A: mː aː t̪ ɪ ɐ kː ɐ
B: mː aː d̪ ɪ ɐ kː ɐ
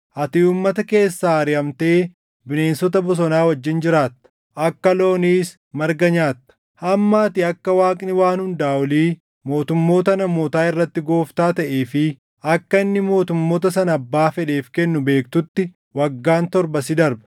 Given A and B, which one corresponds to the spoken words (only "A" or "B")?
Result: A